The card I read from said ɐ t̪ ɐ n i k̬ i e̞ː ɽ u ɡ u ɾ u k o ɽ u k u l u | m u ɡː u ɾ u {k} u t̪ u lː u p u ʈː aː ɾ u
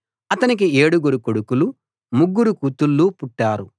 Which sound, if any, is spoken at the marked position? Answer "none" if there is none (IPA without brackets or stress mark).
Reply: k